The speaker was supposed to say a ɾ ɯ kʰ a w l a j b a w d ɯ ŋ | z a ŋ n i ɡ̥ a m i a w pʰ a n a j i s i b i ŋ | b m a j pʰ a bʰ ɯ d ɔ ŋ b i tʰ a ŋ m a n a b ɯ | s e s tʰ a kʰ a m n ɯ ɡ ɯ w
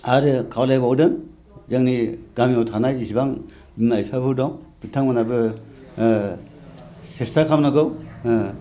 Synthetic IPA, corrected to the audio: a ɾ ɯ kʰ a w l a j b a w d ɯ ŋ | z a ŋ n i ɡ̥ a m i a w tʰ a n a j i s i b a ŋ | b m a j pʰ a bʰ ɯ d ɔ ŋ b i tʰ a ŋ m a n a b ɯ | s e s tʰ a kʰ a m n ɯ ɡ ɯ w